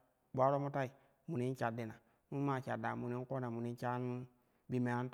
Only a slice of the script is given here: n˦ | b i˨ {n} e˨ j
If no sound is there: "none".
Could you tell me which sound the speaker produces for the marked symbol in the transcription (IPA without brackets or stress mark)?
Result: m